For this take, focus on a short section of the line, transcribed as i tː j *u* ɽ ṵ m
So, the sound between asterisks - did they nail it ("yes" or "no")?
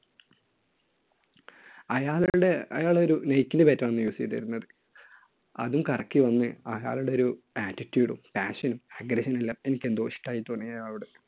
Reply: no